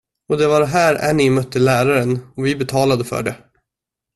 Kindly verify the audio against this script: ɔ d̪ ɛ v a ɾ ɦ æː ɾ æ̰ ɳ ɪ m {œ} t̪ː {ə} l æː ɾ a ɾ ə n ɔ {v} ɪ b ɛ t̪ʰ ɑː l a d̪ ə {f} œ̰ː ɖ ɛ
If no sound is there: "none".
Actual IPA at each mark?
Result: œ, ə, v, f

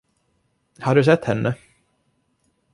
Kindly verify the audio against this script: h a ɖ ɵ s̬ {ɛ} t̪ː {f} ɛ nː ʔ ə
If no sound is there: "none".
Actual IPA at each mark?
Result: ɛ, h

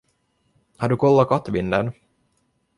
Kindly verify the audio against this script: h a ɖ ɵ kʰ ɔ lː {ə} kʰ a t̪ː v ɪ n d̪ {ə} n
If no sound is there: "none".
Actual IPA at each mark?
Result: a, ə

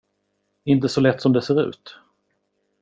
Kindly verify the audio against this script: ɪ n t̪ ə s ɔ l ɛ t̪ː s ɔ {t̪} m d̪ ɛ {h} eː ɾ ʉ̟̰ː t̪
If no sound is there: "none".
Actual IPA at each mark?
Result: none, s

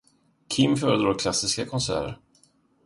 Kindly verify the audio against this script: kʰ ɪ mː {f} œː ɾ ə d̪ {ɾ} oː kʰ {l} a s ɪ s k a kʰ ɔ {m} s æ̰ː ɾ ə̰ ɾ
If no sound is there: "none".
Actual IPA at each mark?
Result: f, ɾ, l, n

